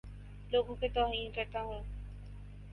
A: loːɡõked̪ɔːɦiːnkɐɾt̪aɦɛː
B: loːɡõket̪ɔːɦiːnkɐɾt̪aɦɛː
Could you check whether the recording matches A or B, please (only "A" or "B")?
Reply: B